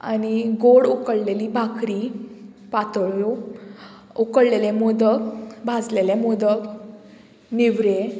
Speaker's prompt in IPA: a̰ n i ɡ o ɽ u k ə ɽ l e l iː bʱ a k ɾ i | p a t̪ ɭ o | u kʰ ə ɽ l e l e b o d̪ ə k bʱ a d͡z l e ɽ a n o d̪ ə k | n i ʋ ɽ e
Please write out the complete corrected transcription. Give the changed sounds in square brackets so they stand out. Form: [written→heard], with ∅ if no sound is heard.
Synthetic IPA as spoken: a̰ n i ɡ o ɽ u k ə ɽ l e l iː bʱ a k ɾ i | p a t̪ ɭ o | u [kʰ→k] ə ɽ l e l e [b→m] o d̪ ə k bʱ a d͡z l e [ɽ→l] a [n→m] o d̪ ə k | n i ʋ [ɽ→ɾ] e